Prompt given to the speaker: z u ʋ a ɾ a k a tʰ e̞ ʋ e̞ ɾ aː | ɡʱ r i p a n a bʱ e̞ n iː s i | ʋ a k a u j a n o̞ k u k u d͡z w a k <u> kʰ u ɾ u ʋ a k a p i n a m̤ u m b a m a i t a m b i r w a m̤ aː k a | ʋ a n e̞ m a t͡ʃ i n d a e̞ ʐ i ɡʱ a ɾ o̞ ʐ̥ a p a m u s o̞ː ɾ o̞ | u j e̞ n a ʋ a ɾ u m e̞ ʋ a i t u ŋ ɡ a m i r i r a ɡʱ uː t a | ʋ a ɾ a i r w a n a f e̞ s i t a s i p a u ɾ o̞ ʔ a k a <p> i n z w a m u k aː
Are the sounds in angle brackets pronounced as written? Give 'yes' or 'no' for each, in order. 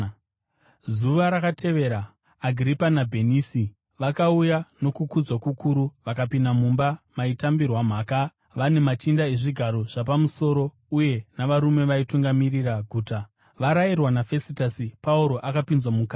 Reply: yes, yes

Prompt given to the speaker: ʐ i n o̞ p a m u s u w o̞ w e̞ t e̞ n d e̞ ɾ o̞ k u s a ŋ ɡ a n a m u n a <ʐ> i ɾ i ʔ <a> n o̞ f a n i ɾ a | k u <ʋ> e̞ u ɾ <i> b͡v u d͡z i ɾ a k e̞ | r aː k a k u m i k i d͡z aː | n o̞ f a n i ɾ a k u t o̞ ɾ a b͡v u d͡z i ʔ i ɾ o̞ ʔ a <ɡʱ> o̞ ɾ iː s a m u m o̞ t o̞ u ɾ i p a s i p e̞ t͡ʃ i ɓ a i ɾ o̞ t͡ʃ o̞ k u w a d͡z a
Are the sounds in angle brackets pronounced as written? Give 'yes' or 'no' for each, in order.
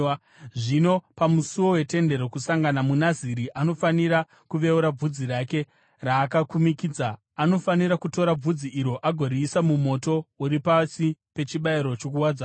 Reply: no, yes, yes, no, yes

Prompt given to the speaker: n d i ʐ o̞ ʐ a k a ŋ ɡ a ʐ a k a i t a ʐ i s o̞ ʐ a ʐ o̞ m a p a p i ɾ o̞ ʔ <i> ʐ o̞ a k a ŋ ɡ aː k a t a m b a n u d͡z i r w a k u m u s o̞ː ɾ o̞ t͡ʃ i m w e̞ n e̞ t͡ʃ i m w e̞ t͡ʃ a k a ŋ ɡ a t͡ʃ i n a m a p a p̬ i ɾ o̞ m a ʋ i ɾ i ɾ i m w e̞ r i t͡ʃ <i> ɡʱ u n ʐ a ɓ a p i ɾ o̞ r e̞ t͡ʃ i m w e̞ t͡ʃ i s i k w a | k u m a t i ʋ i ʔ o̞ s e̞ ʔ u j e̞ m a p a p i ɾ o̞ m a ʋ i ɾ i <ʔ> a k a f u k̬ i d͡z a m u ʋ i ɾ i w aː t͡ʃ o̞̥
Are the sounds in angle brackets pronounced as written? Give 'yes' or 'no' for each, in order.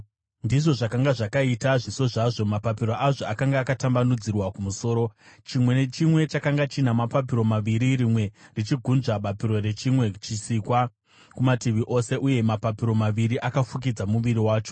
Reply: no, yes, yes

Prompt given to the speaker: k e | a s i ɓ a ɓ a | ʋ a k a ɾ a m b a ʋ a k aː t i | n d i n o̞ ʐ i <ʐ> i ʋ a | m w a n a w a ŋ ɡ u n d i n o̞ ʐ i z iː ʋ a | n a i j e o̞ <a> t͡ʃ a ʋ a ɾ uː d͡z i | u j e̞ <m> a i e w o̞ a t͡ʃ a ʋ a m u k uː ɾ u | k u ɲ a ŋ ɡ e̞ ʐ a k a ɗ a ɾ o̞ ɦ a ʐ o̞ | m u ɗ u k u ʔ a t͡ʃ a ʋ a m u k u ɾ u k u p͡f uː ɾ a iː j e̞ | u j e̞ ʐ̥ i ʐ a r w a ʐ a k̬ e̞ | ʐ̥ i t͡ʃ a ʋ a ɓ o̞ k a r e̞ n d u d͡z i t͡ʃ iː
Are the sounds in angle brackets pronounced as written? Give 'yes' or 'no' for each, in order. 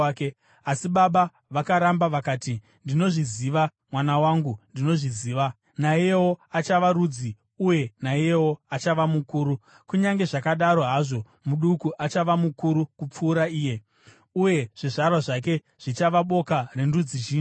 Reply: no, yes, no

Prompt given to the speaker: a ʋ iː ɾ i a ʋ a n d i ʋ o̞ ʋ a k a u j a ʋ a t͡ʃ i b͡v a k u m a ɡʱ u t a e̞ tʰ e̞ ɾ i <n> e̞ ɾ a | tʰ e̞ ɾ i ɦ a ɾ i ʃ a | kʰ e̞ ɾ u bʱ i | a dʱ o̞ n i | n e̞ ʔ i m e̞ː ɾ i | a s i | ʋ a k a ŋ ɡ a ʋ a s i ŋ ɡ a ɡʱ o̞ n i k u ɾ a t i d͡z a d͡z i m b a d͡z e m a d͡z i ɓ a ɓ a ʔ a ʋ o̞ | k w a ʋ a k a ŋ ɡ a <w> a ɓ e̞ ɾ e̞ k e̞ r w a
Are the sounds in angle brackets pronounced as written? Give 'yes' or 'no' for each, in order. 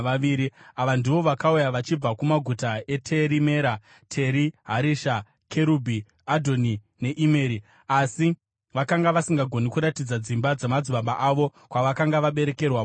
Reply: no, no

